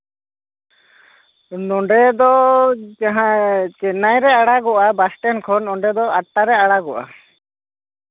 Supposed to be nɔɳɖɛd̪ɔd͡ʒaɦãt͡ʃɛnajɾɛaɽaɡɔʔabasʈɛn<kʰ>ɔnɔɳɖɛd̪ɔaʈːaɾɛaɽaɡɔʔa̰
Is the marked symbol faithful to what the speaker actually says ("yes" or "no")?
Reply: yes